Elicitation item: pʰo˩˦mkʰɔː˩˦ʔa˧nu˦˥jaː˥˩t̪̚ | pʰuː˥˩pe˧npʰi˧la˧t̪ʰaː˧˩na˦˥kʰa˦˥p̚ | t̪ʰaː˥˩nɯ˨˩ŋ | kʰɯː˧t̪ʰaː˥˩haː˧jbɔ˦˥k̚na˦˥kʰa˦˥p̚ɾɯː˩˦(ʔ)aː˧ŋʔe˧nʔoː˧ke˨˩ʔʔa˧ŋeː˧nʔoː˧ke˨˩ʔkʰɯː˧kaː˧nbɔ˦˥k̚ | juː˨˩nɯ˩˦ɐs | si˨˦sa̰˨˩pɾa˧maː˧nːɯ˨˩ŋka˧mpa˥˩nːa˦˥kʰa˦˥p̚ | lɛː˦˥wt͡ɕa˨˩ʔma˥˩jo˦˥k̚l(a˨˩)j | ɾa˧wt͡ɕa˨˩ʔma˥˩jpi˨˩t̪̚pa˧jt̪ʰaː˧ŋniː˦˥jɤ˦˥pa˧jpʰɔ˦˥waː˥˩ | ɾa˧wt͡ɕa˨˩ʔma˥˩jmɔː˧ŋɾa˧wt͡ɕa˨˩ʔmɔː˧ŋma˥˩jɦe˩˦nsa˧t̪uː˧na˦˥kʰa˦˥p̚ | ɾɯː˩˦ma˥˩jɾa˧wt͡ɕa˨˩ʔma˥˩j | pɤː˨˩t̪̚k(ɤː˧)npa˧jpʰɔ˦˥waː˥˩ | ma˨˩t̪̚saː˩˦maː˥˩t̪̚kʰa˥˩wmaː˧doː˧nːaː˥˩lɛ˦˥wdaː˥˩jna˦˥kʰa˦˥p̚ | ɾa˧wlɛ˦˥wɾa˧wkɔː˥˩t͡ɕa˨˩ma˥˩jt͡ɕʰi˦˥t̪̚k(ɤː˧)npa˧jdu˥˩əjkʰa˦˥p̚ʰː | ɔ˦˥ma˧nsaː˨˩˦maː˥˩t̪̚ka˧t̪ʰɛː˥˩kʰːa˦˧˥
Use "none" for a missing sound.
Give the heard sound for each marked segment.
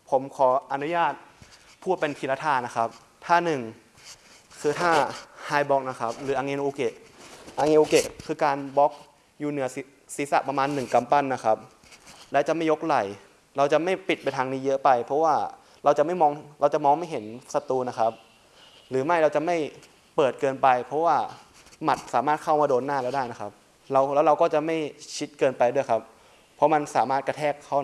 ʔ, a˨˩, ɤː˧, ɤː˧

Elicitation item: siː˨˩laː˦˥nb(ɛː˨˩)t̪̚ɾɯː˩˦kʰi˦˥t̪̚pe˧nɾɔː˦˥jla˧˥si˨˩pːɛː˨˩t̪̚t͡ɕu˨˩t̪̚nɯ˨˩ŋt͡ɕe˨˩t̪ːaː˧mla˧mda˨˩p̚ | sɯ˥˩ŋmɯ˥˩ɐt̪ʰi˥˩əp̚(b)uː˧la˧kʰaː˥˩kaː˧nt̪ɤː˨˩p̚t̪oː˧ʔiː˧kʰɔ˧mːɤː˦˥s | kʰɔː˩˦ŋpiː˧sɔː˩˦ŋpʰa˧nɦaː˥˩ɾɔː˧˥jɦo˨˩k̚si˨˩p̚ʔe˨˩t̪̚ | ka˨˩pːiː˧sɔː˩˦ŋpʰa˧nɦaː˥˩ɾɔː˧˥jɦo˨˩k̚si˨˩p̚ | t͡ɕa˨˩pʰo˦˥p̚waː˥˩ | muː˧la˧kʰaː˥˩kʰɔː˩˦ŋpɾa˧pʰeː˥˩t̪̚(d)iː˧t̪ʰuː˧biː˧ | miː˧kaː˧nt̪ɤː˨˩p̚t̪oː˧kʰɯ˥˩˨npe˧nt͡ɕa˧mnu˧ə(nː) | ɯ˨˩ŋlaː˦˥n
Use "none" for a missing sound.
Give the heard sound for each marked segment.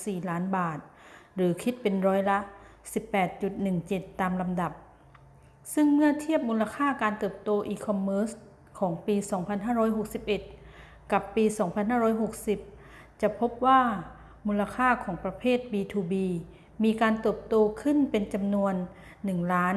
aː˨˩, m, b, nː

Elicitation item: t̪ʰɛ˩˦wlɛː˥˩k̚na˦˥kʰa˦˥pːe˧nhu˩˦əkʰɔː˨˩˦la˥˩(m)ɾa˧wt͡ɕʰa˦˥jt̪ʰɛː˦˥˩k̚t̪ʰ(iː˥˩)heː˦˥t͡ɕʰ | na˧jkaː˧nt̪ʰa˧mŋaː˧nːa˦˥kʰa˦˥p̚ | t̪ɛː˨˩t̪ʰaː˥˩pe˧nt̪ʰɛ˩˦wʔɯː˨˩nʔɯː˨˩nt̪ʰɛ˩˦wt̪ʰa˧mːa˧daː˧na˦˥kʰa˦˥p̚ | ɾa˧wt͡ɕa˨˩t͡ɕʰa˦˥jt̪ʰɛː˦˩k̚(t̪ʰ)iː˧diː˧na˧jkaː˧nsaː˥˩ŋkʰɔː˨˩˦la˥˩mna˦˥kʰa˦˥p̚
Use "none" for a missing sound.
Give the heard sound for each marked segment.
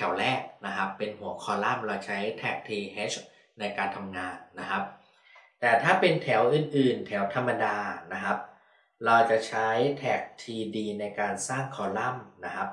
m, iː˧, t̪ʰ

